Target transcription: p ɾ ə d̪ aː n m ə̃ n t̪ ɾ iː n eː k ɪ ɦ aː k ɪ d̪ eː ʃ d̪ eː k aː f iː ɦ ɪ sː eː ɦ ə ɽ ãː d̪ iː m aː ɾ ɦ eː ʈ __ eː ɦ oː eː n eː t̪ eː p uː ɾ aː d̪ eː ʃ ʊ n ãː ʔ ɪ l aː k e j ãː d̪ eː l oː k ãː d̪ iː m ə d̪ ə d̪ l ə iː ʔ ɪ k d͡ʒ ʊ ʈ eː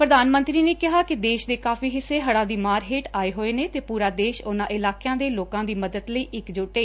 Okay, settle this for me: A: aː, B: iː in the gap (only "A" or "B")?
A